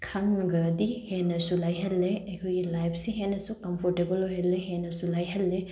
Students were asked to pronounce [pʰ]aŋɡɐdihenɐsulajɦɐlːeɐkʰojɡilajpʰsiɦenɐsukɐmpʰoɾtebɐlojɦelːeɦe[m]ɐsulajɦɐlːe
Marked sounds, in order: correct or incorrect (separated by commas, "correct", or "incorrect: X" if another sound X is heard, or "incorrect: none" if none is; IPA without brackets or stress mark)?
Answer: incorrect: kʰ, incorrect: n